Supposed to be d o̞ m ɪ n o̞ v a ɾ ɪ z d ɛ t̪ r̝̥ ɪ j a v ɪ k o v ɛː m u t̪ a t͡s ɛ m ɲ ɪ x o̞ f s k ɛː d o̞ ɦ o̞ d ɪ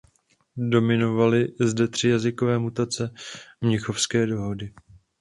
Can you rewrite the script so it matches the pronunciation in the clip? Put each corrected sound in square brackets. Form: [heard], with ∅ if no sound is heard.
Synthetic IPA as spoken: d o̞ m ɪ n o̞ v a [l] ɪ z d ɛ t̪ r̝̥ ɪ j a [z] ɪ k o v ɛː m u t̪ a t͡s ɛ m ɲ ɪ x o̞ f s k ɛː d o̞ ɦ o̞ d ɪ